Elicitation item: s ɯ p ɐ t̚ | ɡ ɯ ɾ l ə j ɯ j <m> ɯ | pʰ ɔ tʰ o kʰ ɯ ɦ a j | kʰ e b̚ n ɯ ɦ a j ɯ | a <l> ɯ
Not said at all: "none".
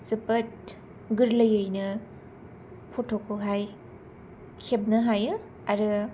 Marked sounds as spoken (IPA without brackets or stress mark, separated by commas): n, ɾ